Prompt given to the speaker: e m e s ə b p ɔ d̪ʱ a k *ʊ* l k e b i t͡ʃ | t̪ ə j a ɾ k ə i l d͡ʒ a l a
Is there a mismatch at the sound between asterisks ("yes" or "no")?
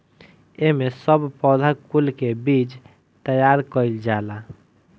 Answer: yes